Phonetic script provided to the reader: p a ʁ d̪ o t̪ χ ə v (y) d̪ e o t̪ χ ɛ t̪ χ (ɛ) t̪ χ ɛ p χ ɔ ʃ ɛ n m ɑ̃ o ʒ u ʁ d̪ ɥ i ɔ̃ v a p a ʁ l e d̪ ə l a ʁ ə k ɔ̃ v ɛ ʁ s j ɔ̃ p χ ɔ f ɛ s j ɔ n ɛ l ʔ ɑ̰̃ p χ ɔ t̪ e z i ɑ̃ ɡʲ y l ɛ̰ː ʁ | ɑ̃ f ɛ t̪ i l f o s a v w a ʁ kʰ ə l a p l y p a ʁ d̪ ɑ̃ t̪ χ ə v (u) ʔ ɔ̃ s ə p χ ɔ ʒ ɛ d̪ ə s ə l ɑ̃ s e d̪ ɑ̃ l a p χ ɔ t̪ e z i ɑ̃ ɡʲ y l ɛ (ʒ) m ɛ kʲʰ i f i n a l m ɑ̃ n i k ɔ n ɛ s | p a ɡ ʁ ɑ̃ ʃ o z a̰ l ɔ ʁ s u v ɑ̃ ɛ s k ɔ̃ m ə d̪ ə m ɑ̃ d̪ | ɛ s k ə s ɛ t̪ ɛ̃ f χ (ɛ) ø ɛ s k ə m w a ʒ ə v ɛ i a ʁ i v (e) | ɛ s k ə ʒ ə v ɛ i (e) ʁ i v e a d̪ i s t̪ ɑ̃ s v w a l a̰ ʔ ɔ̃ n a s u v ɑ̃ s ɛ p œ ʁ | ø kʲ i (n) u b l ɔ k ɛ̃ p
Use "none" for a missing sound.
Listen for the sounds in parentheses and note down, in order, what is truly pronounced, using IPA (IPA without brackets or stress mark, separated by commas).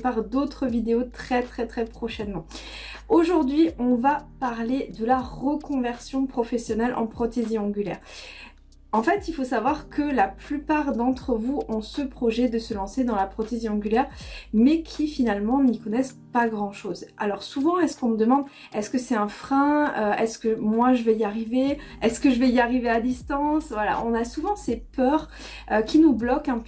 i, ɛ, u, ʁ, ɛ̃, e, a, n